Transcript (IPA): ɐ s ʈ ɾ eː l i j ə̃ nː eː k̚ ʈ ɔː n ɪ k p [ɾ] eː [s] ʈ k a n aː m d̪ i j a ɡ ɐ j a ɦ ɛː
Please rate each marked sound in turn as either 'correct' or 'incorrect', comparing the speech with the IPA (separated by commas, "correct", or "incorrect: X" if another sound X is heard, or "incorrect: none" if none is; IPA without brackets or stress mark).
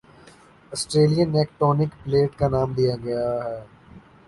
incorrect: l, incorrect: none